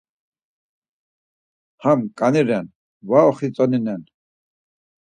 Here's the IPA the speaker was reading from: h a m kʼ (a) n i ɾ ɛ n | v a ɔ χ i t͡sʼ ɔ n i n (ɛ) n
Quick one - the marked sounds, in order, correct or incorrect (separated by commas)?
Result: correct, correct